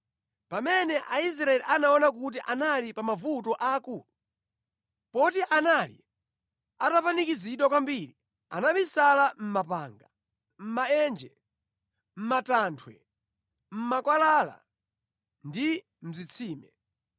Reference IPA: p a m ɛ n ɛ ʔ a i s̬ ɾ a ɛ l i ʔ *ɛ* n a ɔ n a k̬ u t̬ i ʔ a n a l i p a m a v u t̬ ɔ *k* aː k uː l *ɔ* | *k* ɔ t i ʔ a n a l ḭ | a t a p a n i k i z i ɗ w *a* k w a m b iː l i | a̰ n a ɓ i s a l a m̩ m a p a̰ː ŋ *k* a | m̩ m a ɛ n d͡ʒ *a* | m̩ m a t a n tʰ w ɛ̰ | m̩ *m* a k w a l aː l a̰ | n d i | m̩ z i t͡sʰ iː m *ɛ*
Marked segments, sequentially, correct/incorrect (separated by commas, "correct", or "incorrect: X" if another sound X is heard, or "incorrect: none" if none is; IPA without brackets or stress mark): incorrect: a, incorrect: ʔ, incorrect: u, incorrect: p, correct, incorrect: ɡ, incorrect: ɛ, correct, correct